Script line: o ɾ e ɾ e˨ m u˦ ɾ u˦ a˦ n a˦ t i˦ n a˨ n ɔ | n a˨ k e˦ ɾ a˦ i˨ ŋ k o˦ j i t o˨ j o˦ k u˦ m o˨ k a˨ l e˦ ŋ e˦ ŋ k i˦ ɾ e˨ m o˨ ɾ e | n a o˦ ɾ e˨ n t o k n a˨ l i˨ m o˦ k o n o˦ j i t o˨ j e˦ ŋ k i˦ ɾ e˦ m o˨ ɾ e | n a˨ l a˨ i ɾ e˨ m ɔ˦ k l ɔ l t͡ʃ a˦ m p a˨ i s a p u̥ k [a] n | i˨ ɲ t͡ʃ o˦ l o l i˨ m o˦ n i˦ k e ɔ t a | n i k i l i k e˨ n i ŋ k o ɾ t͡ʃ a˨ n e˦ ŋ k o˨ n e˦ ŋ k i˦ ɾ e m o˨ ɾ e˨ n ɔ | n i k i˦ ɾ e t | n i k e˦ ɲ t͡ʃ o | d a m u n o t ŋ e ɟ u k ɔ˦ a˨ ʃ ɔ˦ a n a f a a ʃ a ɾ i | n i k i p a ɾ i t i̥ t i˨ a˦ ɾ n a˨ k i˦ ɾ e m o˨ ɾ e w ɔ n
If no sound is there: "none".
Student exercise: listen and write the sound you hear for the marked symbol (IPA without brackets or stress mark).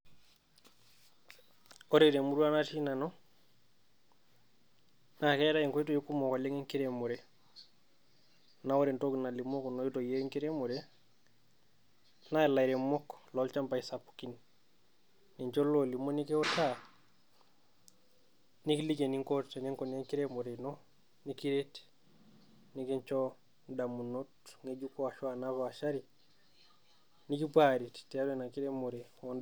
i